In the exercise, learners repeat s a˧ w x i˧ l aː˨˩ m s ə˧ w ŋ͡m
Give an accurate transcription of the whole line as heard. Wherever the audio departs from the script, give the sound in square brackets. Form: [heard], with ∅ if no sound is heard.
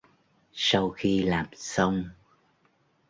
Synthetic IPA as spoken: s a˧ w x i˧ l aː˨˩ m s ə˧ w ŋ͡m